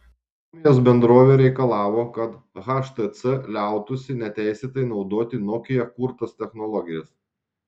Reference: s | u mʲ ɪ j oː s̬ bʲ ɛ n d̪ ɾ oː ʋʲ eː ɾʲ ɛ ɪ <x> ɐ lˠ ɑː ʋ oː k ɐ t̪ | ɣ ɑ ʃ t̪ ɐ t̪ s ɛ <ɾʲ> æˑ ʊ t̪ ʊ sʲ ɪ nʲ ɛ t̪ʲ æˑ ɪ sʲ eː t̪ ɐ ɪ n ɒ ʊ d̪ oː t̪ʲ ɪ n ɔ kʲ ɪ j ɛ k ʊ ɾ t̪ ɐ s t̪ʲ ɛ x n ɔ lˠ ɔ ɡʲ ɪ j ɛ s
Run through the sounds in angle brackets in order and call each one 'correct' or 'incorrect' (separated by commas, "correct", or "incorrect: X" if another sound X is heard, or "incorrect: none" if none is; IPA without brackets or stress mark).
incorrect: k, incorrect: lʲ